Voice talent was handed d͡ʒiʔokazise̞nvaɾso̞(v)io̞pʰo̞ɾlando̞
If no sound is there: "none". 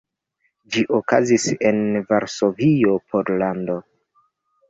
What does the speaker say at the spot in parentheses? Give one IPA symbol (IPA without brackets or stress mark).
v